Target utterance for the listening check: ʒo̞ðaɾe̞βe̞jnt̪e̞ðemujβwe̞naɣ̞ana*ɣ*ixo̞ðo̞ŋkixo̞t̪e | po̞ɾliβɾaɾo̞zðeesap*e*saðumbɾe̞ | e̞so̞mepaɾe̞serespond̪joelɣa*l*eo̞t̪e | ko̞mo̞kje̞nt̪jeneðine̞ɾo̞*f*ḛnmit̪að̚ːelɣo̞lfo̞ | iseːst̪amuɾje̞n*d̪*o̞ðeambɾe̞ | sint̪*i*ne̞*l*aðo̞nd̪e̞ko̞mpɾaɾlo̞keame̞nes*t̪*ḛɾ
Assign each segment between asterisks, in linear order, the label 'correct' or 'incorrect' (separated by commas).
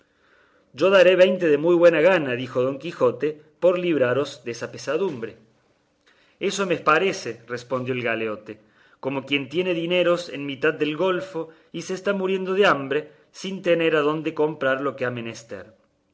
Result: incorrect, correct, correct, incorrect, correct, incorrect, incorrect, correct